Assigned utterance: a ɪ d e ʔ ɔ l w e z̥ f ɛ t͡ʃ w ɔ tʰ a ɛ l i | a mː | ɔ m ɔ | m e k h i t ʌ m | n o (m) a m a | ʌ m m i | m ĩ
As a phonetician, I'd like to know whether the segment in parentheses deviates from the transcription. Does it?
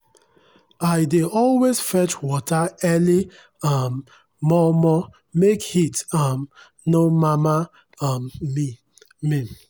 no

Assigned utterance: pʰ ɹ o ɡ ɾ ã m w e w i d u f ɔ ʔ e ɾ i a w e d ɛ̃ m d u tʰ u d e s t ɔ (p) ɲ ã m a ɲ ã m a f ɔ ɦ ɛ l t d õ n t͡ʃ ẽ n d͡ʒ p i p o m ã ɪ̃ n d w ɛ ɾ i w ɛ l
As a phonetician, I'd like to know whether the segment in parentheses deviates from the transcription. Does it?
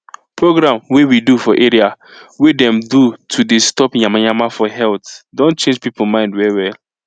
no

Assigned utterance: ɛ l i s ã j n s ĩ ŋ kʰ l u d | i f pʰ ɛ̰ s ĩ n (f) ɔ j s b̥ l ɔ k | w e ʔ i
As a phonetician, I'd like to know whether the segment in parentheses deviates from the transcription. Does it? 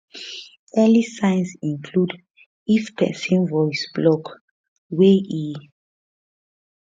yes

